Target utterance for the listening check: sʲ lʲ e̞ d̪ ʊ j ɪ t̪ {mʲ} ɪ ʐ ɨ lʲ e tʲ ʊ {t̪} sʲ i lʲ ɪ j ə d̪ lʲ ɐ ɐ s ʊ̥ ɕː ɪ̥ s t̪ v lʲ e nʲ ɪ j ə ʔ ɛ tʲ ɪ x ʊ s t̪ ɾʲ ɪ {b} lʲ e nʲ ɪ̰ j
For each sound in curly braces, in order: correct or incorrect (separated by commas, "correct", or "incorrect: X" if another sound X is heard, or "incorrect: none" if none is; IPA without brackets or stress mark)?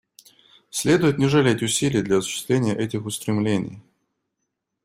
incorrect: nʲ, incorrect: none, incorrect: m